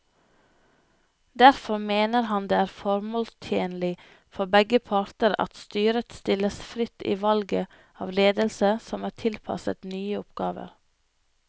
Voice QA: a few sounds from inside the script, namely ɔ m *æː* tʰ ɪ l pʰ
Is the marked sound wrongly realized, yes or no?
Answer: no